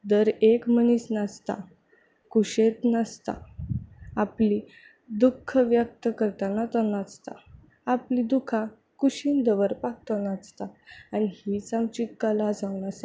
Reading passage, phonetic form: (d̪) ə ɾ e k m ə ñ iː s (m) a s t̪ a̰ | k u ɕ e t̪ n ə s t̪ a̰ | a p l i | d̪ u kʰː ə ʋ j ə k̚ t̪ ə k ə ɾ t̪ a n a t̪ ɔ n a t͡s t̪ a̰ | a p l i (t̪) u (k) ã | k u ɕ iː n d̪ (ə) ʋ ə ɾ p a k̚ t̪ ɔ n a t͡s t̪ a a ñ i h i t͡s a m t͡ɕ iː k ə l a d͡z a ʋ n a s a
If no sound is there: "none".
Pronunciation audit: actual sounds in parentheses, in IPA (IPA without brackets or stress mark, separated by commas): d̪, n, d̪, kʰ, ə